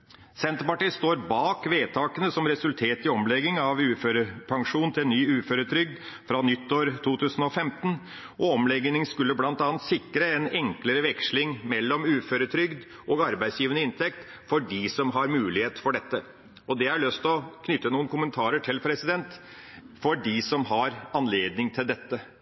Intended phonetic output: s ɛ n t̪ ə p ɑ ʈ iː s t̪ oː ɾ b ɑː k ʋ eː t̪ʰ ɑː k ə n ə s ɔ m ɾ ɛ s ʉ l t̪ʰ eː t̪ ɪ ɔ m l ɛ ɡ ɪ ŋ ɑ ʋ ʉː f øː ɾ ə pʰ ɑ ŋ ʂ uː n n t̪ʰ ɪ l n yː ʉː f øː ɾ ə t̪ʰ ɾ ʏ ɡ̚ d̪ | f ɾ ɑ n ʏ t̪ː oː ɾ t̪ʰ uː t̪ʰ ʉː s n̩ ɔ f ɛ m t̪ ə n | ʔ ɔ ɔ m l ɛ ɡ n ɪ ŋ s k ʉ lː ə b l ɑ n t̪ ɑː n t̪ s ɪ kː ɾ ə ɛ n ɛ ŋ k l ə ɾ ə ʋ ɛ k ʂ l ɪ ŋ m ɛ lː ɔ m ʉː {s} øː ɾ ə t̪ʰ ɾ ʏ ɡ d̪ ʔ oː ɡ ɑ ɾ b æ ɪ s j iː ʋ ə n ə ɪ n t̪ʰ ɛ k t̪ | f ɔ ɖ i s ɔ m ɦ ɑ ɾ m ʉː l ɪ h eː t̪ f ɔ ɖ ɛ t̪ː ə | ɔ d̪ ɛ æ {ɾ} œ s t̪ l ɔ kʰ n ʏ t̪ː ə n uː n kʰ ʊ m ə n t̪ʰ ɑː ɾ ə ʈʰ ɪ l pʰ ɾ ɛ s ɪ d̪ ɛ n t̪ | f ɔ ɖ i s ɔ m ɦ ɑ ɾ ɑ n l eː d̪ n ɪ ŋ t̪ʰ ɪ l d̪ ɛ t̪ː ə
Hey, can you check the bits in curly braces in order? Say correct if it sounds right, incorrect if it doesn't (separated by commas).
incorrect, incorrect